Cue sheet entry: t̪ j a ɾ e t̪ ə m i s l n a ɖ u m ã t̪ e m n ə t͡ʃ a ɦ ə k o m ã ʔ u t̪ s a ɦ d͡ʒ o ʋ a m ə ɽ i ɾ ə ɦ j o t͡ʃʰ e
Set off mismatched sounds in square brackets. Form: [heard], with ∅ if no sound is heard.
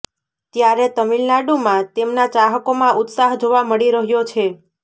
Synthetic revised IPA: t̪ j a ɾ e t̪ ə m i [∅] l n a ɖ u m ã t̪ e m n [a] t͡ʃ a ɦ ə k o m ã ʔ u t̪ s a ɦ d͡ʒ o ʋ a m ə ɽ i ɾ ə ɦ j o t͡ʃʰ e